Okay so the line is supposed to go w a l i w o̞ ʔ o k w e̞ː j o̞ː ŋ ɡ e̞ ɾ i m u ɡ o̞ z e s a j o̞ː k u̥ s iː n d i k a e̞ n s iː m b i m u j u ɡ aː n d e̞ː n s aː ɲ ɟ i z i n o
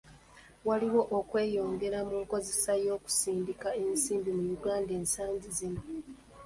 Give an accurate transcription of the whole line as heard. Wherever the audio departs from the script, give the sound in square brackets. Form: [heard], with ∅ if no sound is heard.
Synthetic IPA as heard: w a l i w o̞ ʔ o k w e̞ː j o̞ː ŋ ɡ e̞ ɾ [a] m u [k] o̞ z e s a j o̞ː k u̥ s iː n d i k a e̞ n s iː m b i m u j u ɡ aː n d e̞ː n s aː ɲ ɟ i z i n o